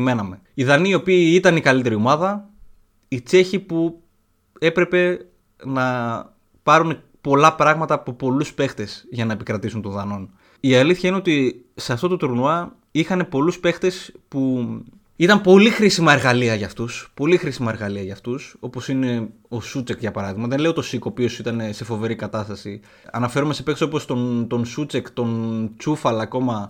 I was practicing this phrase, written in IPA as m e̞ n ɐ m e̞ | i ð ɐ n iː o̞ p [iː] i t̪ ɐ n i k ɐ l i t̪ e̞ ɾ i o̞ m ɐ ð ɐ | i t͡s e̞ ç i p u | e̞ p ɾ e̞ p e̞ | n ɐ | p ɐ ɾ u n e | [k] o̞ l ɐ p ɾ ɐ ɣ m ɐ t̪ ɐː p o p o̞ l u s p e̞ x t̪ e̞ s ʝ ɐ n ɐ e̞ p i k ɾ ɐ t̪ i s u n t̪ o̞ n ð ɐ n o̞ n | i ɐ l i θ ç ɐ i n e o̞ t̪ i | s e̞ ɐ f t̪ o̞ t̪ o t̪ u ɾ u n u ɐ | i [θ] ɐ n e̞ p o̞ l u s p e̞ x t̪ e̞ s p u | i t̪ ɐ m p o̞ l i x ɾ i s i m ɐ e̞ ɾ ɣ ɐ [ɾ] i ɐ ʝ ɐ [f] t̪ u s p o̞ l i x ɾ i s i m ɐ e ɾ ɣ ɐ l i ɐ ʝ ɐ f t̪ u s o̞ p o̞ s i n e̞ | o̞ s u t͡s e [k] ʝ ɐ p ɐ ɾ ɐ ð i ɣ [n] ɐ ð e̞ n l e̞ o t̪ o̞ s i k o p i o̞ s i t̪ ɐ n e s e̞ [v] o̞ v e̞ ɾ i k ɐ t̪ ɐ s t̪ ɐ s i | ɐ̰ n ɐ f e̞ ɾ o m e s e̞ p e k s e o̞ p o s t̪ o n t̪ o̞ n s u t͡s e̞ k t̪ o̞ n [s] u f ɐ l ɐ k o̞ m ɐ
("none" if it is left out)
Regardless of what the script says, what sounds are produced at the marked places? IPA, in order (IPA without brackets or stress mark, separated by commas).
iː, p, x, l, f, k, m, f, t͡s